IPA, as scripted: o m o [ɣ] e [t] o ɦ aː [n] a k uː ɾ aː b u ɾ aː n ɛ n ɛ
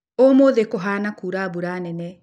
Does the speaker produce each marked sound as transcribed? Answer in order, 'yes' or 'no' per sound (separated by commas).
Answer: no, no, yes